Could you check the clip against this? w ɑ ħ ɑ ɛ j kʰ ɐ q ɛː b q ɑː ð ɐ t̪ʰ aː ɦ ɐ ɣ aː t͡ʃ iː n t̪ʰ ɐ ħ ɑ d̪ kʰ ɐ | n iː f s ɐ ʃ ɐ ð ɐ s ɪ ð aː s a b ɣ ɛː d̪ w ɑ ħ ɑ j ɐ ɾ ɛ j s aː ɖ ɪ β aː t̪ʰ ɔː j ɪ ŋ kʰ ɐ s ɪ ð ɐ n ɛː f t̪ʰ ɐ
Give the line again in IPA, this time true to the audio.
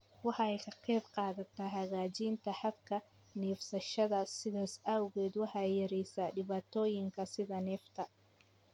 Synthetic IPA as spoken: w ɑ ħ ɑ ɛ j kʰ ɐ q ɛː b q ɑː ð ɐ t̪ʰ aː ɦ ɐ ɣ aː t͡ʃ iː n t̪ʰ ɐ ħ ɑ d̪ kʰ ɐ | n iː f s ɐ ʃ ɐ ð ɐ s ɪ ð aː s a w ɣ ɛː d̪ w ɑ ħ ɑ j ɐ ɾ ɛ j s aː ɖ ɪ β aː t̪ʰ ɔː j ɪ ŋ kʰ ɐ s ɪ ð ɐ n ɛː f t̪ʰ ɐ